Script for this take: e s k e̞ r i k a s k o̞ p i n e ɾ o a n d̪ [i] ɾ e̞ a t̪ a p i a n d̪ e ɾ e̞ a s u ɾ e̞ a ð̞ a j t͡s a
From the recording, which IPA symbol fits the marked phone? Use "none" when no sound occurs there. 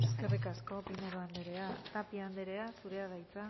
e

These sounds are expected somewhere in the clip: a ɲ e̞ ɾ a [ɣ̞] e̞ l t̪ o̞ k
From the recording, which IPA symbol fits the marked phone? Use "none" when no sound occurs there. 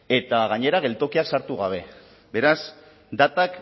ɣ̞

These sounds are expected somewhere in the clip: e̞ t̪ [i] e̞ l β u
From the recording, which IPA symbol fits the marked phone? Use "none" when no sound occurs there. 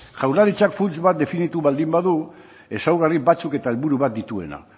a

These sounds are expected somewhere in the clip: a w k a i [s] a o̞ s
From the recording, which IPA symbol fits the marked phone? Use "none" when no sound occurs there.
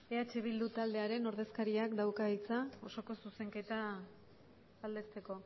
t͡s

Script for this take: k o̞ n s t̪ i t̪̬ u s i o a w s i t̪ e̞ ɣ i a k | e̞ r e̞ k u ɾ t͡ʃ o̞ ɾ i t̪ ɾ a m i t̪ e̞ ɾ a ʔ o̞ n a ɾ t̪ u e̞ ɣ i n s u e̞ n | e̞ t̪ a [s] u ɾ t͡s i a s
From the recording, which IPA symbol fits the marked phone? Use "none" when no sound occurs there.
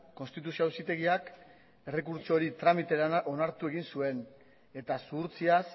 s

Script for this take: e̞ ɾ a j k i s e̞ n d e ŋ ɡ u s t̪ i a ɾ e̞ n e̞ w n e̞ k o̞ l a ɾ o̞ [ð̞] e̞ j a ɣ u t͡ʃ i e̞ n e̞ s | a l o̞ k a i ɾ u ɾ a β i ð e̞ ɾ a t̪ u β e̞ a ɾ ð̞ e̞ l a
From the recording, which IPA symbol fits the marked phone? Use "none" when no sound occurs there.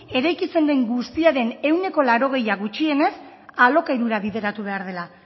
ɣ̞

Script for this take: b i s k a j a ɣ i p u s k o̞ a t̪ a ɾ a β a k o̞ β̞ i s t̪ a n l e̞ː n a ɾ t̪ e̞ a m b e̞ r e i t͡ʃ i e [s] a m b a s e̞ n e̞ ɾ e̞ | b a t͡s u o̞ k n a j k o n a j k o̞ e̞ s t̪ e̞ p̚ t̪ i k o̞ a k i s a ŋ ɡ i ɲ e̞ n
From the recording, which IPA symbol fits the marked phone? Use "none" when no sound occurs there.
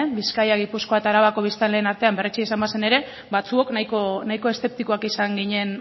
s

